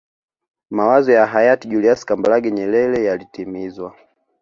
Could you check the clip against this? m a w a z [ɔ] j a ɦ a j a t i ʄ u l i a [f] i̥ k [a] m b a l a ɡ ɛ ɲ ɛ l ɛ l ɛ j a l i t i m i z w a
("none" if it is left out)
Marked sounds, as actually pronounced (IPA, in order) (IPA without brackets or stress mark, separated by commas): ɔ, s, a